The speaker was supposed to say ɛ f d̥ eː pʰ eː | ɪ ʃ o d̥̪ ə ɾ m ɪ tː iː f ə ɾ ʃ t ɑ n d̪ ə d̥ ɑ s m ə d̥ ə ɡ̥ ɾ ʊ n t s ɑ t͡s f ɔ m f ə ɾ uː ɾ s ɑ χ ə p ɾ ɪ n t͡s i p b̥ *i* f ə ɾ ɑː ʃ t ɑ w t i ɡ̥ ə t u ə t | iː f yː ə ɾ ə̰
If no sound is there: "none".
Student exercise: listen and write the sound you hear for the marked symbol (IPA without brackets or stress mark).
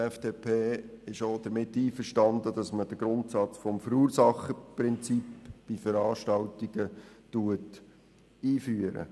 i